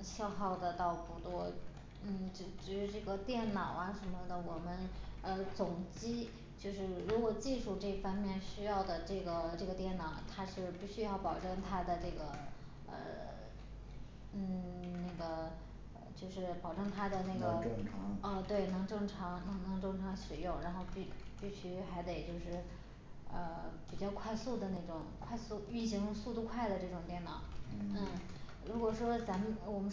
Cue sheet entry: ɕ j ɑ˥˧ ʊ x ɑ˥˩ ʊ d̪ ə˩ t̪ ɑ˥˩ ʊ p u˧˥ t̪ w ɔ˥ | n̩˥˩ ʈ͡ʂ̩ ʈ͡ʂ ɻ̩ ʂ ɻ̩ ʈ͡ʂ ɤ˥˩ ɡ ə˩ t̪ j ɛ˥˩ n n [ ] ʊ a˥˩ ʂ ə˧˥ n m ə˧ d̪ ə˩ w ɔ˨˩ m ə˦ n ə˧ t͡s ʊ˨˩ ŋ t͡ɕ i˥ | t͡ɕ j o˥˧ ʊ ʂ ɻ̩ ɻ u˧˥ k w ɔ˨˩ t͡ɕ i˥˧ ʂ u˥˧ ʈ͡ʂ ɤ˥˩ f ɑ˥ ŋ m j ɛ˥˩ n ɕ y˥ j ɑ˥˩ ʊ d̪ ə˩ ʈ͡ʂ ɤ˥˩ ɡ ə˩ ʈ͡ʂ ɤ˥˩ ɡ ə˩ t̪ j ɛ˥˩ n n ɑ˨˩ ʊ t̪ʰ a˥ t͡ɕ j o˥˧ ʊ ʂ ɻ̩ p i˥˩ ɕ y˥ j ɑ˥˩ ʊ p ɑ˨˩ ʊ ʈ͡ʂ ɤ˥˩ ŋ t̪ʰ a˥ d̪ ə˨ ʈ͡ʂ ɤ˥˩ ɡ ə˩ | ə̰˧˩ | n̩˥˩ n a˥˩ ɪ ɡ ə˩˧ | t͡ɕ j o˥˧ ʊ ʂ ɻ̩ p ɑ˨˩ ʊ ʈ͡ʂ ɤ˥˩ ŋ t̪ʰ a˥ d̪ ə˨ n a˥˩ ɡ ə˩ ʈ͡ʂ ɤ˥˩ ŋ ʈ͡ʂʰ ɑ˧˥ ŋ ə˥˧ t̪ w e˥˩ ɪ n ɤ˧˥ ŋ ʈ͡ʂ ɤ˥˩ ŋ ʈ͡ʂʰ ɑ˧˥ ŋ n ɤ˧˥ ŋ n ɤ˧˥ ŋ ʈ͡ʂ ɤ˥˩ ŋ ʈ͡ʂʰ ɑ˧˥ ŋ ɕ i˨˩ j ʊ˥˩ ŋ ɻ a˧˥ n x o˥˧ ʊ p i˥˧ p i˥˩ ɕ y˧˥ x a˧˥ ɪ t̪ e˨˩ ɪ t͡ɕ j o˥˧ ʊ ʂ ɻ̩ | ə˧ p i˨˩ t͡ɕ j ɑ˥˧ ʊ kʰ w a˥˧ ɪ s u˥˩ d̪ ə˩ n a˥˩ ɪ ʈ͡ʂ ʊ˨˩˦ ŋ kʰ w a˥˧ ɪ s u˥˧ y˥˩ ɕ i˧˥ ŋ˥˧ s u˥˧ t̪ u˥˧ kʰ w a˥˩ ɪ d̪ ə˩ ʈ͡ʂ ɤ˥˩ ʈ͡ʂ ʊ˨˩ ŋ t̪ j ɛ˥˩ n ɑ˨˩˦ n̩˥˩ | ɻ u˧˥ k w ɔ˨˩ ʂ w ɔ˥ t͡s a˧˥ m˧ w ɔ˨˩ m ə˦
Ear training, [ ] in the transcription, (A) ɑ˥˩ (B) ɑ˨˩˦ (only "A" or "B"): B